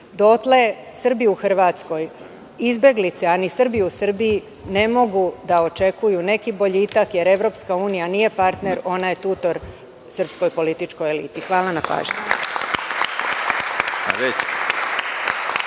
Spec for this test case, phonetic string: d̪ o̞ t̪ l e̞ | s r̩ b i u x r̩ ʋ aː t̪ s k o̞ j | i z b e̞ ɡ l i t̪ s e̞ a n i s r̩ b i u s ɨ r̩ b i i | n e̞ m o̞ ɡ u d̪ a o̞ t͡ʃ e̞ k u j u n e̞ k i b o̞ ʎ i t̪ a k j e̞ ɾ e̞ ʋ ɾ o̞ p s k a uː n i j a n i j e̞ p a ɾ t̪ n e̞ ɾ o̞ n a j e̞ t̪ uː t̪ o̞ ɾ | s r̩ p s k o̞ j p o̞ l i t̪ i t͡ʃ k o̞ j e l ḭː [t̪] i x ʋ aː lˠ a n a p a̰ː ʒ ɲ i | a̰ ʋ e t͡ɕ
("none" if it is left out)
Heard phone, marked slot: t̪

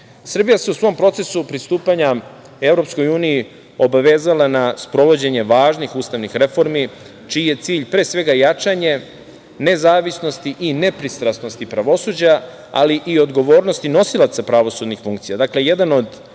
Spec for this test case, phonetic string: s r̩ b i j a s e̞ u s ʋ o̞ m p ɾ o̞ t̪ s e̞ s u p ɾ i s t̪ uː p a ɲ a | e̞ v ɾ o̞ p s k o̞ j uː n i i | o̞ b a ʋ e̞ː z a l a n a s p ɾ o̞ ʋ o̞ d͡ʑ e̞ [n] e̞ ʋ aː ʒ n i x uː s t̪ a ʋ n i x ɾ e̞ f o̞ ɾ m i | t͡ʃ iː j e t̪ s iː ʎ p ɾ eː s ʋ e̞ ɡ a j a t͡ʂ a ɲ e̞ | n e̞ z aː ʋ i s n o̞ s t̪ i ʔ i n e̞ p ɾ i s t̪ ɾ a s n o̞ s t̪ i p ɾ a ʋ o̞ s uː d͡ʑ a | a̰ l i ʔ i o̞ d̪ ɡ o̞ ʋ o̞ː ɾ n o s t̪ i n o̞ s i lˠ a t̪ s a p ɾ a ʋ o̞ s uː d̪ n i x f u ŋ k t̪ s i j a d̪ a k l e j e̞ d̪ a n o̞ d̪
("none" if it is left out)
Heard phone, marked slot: ɲ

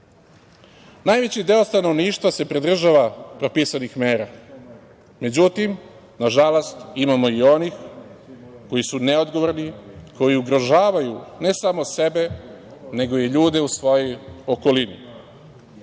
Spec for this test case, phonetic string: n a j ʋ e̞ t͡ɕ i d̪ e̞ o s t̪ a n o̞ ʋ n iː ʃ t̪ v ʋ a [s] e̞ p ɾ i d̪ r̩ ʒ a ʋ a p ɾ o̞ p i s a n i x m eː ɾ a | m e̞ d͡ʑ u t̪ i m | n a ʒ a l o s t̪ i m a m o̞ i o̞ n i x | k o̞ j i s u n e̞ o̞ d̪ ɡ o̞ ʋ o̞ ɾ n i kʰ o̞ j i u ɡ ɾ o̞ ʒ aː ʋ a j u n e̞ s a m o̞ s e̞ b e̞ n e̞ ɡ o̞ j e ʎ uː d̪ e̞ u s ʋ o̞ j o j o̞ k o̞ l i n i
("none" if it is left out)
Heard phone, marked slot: s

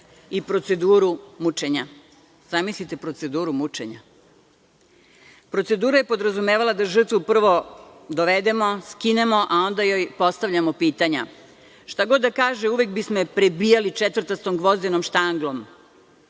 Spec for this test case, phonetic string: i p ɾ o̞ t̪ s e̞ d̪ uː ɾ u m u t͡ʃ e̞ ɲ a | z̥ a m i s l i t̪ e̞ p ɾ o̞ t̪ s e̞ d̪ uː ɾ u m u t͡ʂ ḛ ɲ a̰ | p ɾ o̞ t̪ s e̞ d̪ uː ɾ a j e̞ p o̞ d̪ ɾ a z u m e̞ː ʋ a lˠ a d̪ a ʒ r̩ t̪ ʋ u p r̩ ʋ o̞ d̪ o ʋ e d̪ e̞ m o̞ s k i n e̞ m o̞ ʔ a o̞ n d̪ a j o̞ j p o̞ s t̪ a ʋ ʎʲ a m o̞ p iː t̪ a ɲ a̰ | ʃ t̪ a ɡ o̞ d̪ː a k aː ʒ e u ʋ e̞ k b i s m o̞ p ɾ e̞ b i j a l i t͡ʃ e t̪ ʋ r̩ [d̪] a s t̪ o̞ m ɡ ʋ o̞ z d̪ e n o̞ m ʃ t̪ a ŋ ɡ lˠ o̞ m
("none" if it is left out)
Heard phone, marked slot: t̪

